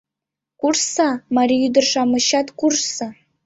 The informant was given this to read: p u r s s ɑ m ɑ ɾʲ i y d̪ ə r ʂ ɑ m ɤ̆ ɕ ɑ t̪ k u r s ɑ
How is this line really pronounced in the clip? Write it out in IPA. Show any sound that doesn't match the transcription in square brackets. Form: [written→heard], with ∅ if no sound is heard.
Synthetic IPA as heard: [p→k] u r s s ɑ m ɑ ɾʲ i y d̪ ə r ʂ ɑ m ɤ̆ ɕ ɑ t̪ k u r s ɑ